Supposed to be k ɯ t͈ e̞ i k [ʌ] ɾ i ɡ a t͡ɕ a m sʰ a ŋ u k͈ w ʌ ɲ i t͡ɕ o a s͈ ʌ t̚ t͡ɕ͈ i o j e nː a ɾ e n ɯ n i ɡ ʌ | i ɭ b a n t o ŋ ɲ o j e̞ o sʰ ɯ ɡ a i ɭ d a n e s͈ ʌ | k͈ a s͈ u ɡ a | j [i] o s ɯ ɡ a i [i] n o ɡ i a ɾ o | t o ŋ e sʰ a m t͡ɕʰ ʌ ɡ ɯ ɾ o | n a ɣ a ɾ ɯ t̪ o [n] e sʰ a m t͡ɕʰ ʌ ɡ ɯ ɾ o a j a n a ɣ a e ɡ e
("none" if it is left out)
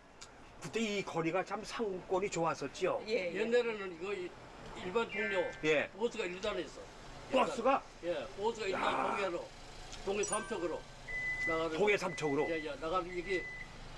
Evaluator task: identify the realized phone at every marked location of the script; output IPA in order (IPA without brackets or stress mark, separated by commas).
ʌ, e, a, ŋ